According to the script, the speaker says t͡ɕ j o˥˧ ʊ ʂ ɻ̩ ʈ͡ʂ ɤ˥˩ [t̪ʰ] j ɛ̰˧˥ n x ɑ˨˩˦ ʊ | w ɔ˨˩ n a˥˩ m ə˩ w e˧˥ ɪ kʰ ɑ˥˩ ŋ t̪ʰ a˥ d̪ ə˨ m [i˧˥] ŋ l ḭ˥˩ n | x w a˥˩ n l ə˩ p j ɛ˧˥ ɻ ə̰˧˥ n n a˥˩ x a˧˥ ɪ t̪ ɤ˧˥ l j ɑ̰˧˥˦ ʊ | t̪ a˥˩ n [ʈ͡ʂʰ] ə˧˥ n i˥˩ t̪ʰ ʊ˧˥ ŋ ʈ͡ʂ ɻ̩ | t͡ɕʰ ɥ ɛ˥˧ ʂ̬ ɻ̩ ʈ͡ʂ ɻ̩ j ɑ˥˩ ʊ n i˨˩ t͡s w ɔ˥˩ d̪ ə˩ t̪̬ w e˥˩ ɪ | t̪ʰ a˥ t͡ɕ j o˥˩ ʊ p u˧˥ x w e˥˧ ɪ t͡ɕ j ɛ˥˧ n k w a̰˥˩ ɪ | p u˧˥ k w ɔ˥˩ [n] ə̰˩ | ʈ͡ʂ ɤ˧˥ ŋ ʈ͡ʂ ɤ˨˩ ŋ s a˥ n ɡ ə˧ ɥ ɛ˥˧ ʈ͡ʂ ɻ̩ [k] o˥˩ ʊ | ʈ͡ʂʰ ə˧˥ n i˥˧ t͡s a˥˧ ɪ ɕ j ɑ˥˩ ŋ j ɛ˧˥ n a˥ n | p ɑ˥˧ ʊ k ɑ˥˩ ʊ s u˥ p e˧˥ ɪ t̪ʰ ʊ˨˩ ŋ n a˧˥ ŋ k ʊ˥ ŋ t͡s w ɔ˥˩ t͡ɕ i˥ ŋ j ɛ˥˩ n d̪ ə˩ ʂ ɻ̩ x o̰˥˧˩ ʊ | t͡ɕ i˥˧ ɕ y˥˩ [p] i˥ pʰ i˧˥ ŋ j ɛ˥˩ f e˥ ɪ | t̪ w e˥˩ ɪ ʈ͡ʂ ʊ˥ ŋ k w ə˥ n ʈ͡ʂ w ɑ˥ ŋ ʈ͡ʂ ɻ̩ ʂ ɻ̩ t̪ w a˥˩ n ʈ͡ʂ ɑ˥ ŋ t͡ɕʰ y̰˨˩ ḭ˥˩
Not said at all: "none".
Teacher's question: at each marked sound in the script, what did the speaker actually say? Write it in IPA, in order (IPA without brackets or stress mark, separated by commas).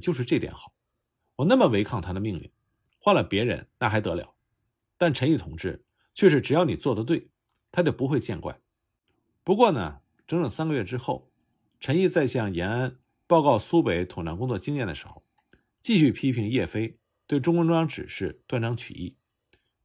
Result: t̪, i˥˧, ʈ͡ʂʰ, n, x, pʰ